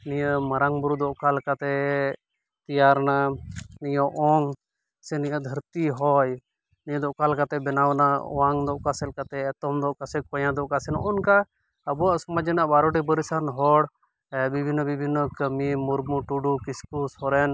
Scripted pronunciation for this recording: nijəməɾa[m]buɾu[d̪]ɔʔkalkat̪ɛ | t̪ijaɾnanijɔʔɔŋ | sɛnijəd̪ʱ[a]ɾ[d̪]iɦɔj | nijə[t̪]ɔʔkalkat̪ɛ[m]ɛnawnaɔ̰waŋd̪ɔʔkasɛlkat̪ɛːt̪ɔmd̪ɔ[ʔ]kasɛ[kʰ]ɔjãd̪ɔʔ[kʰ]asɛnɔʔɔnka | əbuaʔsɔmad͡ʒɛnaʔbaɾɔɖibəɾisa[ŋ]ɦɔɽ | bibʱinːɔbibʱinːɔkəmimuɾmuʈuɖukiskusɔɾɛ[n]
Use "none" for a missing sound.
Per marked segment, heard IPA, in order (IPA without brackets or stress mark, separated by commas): ŋ, d̪, ə, t̪, d̪, b, ʔ, k, k, n, n